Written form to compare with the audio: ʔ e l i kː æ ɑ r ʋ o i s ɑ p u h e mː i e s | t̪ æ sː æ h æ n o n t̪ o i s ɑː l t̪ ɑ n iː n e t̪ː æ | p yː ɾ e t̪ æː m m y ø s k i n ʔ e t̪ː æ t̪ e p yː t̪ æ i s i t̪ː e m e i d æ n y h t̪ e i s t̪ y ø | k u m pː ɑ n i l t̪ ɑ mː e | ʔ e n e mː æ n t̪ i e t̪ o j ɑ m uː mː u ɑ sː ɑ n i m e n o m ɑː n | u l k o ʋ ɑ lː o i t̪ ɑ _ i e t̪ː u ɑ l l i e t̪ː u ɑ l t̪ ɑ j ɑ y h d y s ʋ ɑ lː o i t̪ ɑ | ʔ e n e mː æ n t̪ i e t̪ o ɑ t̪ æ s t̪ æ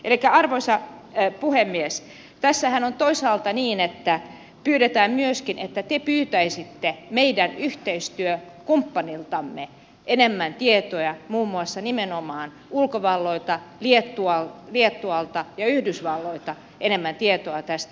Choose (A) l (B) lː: A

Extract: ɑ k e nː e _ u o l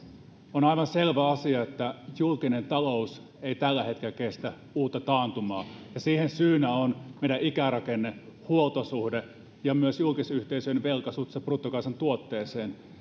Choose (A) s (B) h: B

